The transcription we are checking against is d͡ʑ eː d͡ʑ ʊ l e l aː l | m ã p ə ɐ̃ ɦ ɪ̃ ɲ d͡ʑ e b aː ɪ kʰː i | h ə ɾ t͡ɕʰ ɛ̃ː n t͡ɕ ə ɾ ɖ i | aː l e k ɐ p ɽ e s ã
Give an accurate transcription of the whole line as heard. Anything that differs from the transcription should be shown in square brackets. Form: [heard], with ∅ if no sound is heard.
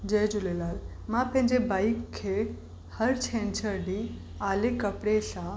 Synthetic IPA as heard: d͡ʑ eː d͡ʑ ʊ l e l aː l | m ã p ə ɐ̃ ɦ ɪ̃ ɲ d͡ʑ e b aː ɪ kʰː [e] | h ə ɾ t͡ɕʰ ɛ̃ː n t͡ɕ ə ɾ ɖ i | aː l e k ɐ p ɽ e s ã